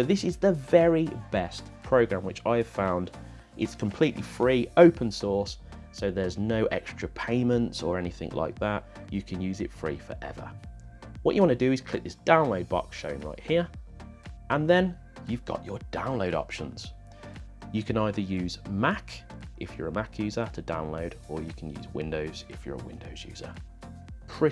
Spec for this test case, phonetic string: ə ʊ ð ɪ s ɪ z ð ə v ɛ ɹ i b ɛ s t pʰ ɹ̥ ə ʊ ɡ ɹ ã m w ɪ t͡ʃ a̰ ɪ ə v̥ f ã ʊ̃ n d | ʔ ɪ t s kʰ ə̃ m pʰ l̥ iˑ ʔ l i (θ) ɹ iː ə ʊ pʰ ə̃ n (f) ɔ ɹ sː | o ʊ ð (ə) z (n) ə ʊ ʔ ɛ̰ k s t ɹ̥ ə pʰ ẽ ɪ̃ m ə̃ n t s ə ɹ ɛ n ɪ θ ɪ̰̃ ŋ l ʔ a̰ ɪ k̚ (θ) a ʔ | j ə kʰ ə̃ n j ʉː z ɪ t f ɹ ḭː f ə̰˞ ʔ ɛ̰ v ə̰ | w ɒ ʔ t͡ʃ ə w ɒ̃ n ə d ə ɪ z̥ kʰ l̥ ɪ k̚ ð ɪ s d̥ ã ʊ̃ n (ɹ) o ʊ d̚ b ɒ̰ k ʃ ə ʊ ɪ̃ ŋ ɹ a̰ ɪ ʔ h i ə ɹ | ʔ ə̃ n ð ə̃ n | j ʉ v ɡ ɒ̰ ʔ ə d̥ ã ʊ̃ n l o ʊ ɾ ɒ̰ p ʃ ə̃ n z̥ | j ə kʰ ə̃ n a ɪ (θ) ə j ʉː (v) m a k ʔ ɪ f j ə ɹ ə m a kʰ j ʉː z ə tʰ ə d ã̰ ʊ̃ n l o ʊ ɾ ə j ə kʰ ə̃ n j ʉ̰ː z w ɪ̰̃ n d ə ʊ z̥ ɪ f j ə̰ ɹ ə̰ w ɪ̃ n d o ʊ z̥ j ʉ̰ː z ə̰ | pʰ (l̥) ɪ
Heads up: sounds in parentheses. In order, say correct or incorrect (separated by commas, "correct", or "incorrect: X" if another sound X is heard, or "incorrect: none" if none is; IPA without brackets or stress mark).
incorrect: f, incorrect: s, correct, correct, incorrect: ð, incorrect: l, incorrect: ð, incorrect: z, incorrect: ɹ̥